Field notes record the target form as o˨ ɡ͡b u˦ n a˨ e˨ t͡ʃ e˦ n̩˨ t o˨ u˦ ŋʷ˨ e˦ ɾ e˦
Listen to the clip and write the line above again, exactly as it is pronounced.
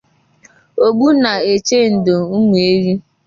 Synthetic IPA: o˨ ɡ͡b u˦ n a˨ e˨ t͡ʃ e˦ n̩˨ d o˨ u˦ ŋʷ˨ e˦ ɾ i˦